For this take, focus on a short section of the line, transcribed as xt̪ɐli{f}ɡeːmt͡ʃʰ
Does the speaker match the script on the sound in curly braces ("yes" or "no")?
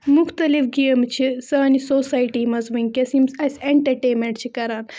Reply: yes